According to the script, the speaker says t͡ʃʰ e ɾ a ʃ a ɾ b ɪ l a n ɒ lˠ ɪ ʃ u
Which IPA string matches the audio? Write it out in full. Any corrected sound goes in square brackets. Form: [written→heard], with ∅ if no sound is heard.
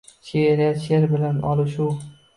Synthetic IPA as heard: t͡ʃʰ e ɾ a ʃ [a→e] ɾ b ɪ l a n ɒ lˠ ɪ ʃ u